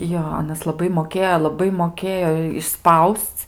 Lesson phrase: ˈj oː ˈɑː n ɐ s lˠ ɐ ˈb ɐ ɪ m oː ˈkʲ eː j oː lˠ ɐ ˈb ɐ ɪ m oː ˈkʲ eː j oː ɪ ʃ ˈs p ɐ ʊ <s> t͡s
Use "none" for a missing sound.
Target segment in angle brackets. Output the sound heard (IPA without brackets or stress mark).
s